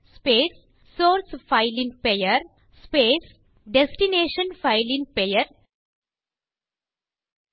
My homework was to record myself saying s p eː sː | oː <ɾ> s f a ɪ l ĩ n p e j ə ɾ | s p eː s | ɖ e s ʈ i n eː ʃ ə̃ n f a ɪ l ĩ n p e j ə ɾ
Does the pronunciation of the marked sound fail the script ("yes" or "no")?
no